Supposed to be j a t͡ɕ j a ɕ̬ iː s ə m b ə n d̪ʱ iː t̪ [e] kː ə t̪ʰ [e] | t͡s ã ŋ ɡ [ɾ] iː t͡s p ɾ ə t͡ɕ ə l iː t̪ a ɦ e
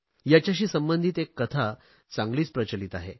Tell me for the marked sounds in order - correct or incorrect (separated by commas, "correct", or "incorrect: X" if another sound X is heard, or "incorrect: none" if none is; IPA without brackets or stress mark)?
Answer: correct, incorrect: a, incorrect: l